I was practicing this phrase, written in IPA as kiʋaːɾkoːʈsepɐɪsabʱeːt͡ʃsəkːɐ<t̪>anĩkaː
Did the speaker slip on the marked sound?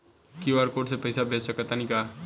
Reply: no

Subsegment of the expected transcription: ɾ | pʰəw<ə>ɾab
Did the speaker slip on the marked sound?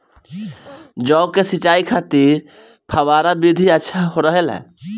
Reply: yes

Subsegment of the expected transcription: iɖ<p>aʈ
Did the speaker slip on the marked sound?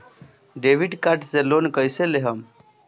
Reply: yes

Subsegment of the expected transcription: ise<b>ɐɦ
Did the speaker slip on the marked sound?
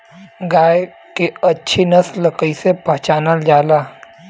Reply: yes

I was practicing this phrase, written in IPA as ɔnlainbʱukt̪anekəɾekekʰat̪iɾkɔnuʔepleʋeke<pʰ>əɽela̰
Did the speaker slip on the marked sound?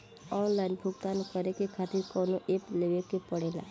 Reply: yes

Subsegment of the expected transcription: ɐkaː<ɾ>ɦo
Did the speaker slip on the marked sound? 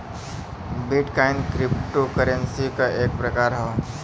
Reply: no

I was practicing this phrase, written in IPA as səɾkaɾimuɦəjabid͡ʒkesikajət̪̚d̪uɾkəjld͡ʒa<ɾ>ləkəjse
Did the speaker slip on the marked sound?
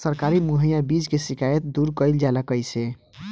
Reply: yes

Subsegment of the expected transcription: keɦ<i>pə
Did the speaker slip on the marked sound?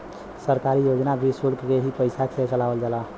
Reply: no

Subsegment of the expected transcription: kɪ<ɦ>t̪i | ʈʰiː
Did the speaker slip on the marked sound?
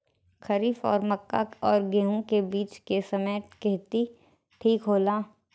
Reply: no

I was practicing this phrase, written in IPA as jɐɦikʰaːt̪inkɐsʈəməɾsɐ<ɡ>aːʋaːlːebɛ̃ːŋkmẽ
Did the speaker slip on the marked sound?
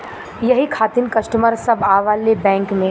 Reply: yes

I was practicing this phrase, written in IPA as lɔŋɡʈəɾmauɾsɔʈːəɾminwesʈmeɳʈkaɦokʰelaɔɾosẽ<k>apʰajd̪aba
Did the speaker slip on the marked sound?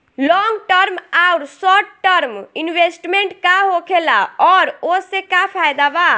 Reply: no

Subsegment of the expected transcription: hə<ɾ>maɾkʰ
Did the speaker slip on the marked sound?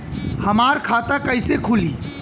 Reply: yes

